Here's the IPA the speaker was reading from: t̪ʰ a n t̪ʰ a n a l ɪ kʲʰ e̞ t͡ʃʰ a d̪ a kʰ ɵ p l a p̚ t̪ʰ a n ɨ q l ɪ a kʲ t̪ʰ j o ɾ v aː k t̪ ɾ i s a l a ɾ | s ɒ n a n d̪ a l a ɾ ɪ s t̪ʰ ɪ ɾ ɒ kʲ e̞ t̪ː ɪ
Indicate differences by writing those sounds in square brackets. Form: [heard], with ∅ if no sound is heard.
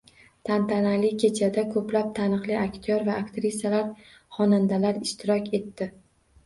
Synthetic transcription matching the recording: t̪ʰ a n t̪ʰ a n a l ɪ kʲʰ e̞ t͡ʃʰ a d̪ a kʰ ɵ p l a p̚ t̪ʰ a n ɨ q l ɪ a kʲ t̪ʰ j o ɾ v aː k t̪ ɾ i s a l a ɾ | [χ] ɒ n a n d̪ a l a ɾ ɪ [ʃ] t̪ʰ ɪ ɾ ɒ kʲ e̞ t̪ː ɪ